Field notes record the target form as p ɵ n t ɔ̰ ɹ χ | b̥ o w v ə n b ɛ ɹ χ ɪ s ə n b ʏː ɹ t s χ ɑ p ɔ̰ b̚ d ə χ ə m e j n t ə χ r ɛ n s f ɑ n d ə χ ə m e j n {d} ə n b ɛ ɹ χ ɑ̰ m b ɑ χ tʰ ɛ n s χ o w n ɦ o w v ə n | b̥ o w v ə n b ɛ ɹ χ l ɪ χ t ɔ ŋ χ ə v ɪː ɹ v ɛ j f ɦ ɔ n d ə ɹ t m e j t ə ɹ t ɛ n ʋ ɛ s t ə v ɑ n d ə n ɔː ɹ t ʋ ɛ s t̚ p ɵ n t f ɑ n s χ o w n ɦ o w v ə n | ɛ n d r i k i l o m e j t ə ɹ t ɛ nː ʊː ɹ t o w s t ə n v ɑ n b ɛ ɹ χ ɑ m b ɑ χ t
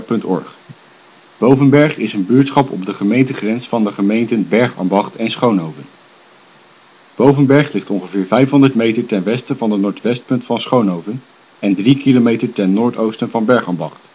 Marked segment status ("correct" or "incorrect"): incorrect